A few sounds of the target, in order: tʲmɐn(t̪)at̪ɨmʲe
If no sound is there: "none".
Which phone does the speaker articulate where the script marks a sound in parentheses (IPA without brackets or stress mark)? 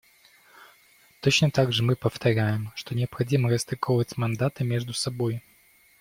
d̪